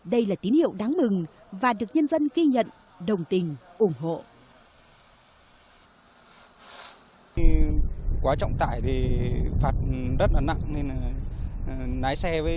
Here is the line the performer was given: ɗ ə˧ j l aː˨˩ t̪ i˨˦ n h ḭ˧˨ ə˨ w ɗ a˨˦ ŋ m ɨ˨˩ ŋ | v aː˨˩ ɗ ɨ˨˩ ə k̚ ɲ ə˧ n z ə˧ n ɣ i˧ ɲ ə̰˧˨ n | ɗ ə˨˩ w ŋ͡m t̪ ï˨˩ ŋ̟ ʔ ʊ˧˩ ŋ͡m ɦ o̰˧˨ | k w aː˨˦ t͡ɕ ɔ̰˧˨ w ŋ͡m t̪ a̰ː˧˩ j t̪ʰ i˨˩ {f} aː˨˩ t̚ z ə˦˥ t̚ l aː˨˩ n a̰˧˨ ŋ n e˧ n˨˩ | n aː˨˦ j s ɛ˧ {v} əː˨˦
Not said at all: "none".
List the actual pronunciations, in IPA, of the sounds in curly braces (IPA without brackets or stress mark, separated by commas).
f, v